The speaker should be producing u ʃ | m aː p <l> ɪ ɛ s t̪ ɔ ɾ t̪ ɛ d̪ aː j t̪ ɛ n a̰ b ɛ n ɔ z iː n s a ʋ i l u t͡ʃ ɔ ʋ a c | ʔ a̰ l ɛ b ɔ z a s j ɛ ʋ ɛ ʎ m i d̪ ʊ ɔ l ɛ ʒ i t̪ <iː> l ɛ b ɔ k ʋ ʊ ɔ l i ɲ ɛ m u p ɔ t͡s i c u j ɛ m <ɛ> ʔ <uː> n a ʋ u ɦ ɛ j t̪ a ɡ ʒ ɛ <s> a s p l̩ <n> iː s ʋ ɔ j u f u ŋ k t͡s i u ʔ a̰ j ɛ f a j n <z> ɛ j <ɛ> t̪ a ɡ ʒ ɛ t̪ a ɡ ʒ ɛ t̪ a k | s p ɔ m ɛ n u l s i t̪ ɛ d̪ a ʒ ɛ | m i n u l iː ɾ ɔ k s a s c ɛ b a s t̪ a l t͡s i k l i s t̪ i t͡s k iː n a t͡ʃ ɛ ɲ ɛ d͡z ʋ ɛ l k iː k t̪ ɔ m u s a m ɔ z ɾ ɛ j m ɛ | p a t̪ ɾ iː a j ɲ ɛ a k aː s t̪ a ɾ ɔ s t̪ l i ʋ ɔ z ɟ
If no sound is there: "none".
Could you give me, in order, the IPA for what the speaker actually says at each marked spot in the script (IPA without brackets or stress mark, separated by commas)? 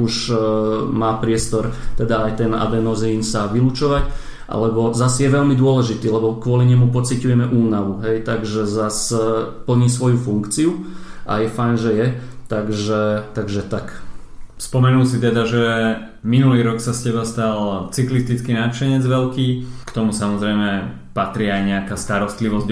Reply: ɾ, iː, ɛ, uː, z, ɲ, ʒ, ɛ